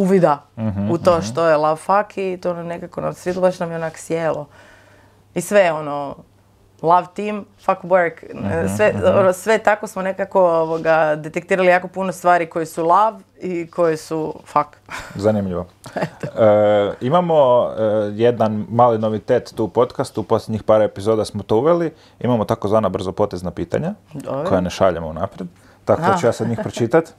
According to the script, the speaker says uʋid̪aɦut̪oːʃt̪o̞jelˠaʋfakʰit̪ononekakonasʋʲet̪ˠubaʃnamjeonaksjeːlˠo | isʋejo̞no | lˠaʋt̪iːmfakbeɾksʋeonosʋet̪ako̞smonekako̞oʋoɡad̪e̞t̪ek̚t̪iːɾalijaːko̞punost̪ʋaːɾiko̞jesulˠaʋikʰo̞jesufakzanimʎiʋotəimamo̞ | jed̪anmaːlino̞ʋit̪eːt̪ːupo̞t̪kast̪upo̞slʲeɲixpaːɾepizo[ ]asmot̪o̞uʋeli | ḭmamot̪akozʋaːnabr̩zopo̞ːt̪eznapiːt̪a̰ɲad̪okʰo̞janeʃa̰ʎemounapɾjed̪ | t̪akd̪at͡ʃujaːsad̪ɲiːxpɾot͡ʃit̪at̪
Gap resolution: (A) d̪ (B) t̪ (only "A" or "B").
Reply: A